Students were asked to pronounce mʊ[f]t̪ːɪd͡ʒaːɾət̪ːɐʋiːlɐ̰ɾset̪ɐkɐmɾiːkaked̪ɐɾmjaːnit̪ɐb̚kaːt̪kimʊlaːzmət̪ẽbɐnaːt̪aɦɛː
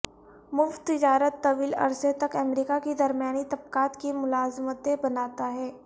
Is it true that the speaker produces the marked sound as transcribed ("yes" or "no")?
yes